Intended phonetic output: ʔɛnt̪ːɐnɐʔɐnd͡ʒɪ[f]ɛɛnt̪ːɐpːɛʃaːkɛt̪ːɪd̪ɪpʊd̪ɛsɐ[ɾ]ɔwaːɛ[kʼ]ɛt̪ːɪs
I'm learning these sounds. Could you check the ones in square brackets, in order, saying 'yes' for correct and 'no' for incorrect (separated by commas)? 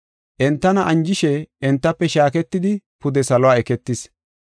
no, no, no